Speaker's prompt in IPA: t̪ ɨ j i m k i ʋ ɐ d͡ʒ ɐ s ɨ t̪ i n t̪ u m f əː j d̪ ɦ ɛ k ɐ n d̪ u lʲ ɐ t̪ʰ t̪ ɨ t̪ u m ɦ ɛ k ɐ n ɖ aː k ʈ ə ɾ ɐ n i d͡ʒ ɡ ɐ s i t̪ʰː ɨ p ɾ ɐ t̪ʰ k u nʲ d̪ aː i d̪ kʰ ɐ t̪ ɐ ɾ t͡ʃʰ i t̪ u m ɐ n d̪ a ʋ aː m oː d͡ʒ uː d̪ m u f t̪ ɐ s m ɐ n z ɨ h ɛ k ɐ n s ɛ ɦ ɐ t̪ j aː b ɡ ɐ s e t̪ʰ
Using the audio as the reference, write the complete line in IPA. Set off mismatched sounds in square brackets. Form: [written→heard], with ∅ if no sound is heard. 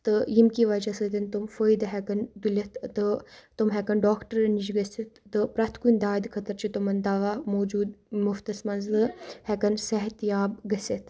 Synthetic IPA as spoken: t̪ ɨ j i m k i ʋ ɐ d͡ʒ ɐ s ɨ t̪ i n t̪ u m f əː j d̪ ɦ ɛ k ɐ n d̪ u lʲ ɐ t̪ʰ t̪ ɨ t̪ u m ɦ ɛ k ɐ n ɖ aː k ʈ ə ɾ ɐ n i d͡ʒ ɡ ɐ s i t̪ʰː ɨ p ɾ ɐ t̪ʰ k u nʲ d̪ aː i d̪ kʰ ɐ t̪ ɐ ɾ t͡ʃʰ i t̪ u m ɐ n d̪ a ʋ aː m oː d͡ʒ uː d̪ m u f t̪ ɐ s m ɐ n z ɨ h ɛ k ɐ n s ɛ ɦ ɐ t̪ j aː b ɡ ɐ s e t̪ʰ